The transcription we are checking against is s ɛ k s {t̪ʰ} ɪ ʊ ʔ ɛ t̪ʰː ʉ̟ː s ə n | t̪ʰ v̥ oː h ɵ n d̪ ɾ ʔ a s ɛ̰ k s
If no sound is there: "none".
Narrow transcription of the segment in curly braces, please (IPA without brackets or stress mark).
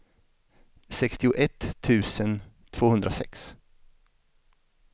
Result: t̪